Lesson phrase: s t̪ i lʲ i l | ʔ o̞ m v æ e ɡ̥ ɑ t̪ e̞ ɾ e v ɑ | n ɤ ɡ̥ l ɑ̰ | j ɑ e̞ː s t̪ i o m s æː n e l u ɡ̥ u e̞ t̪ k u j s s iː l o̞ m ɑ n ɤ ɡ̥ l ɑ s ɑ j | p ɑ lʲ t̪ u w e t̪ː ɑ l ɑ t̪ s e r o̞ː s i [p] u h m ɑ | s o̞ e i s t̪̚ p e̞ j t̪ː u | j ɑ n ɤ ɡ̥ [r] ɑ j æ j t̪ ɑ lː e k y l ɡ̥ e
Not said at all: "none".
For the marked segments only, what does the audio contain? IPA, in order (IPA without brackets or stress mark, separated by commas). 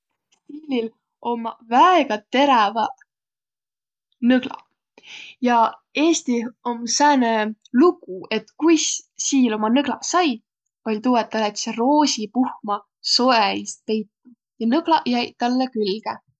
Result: p, l